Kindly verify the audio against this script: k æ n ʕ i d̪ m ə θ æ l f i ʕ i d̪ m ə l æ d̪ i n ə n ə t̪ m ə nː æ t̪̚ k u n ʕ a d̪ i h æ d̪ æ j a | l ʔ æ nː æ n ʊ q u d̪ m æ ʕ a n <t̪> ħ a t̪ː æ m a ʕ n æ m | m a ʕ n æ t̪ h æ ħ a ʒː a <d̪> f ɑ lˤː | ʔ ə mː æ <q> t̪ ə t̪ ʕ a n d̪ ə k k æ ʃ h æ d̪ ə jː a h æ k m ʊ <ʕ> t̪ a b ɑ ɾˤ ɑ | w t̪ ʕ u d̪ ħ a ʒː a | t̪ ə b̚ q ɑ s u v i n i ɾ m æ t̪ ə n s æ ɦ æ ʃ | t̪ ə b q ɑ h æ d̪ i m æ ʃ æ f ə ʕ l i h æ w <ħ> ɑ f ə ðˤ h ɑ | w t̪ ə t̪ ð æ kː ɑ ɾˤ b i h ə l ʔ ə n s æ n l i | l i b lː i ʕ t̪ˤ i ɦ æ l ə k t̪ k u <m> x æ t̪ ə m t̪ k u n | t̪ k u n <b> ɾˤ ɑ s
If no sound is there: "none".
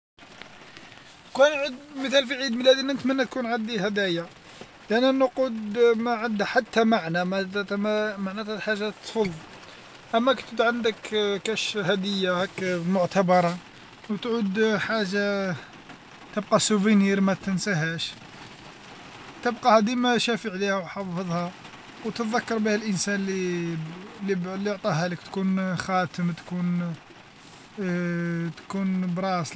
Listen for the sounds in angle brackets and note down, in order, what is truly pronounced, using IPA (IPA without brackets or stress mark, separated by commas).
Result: d̪, t̪, k, ʕ, ħ, n, b